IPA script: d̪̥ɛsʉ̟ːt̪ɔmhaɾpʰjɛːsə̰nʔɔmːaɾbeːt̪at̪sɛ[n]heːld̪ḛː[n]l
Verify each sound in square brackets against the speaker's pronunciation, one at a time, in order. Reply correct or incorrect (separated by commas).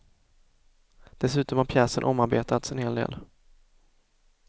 correct, incorrect